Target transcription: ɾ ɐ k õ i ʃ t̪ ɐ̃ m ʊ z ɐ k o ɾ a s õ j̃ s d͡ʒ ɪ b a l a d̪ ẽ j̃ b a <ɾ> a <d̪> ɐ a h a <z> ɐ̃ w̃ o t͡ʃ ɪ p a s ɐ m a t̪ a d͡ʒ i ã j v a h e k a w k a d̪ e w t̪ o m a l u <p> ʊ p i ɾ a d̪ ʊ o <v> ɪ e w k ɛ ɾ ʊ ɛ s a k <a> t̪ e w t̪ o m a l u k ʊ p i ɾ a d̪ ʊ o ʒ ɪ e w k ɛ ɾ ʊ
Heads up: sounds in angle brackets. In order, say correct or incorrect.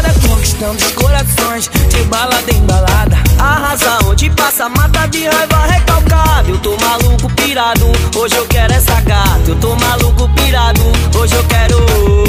incorrect: l, correct, correct, incorrect: k, incorrect: ʒ, correct

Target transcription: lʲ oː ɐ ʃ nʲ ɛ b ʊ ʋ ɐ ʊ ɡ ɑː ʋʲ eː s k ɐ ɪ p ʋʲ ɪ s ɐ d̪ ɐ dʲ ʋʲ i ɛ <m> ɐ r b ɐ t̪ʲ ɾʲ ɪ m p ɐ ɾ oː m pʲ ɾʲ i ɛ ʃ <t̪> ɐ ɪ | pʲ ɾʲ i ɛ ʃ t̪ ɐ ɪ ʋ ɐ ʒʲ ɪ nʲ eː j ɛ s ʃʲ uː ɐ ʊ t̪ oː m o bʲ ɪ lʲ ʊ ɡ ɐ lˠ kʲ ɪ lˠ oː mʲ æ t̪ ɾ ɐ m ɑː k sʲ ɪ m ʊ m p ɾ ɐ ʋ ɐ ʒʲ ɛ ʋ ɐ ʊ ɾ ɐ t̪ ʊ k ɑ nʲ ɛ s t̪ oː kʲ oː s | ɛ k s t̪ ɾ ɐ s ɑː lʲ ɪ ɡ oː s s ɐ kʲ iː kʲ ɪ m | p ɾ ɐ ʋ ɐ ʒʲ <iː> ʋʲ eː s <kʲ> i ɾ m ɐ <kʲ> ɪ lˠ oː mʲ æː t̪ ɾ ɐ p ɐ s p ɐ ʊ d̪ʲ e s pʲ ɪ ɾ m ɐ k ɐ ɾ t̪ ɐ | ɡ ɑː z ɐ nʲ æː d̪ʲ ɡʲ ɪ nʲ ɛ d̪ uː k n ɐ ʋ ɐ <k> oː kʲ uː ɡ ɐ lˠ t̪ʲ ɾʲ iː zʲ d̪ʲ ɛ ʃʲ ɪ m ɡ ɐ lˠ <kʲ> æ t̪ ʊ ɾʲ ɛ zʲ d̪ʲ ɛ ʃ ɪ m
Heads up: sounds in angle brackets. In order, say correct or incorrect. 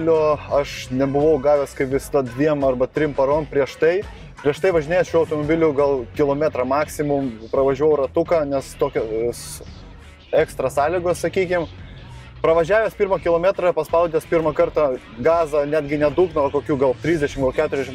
correct, correct, incorrect: æː, incorrect: pʲ, correct, correct, correct

